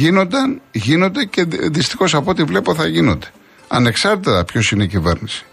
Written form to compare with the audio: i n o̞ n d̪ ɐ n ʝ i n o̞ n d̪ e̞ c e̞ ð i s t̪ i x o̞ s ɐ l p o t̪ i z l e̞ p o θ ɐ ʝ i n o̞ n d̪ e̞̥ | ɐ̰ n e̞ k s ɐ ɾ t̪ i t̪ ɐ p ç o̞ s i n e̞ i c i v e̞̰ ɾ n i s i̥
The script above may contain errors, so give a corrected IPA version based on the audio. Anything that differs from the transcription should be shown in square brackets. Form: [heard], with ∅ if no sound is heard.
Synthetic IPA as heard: i n o̞ n d̪ ɐ n ʝ i n o̞ n d̪ e̞ c e̞ ð i s t̪ i x o̞ s ɐ [∅] p o t̪ i [v] l e̞ p o θ ɐ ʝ i n o̞ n d̪ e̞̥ | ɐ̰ n e̞ k s ɐ ɾ t̪ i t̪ ɐ p ç o̞ s i n e̞ i c i v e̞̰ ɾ n i s i̥